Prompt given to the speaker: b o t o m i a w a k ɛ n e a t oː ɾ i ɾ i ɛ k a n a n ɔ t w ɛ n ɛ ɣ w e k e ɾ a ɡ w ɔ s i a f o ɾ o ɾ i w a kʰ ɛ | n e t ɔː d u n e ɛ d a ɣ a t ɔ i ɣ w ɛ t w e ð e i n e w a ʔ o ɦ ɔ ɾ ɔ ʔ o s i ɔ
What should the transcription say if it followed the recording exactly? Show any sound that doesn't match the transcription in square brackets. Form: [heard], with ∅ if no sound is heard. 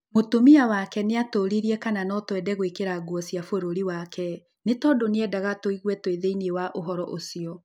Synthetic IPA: [m] o t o m i a w a k ɛ n e a t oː ɾ i ɾ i ɛ k a n a n ɔ t w ɛ [d] ɛ ɣ w e k e ɾ a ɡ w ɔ s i a f o ɾ o ɾ i w a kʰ ɛ | n e t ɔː d [o] n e ɛ d a ɣ a t [o] i ɣ w ɛ t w e ð e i n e w a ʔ o ɦ ɔ ɾ ɔ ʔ o s i ɔ